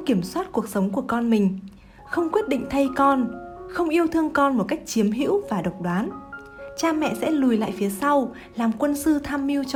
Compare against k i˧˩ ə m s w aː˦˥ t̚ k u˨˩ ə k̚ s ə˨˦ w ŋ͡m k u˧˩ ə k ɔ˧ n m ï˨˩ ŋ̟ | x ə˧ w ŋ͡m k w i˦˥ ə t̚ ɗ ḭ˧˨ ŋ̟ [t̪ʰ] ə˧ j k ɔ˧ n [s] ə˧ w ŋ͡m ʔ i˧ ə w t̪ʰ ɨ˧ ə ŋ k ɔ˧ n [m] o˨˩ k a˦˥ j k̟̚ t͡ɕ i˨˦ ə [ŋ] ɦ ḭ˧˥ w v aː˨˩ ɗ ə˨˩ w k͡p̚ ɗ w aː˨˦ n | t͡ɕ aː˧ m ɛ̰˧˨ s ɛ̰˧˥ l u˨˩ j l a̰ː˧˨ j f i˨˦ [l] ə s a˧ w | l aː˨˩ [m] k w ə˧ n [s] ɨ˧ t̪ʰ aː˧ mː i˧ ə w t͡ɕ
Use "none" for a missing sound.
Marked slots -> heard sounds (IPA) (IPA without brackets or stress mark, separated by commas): t̪ʰ, x, m, m, none, m, s